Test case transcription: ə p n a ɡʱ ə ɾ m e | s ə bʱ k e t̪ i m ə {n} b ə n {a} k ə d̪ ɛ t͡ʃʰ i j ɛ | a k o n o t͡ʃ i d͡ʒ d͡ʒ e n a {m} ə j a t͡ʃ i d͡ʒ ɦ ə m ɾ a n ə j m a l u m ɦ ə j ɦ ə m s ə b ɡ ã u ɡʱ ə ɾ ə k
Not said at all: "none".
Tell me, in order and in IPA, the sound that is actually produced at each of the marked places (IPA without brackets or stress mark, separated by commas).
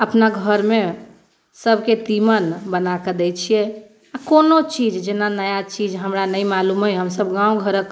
n, a, n